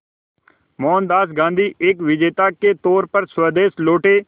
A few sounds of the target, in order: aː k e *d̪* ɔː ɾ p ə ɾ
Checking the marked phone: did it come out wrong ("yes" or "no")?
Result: yes